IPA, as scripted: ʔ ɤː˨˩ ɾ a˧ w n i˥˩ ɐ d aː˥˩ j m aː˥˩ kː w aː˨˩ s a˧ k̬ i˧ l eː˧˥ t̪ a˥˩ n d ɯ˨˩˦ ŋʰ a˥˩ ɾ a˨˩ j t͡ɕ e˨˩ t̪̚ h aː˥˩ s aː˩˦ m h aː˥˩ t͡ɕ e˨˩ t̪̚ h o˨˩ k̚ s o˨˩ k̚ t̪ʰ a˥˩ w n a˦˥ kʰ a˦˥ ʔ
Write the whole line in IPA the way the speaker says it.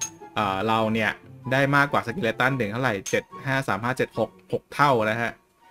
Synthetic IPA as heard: ʔ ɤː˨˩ ɾ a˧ w n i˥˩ ɐ d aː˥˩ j m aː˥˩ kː w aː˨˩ s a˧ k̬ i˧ l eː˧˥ t̪ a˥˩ n d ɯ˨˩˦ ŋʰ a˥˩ ɾ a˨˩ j t͡ɕ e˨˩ t̪̚ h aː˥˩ s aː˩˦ m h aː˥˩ t͡ɕ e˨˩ t̪̚ h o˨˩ k̚ h o˨˩ k̚ t̪ʰ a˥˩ w n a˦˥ kʰ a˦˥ ʔ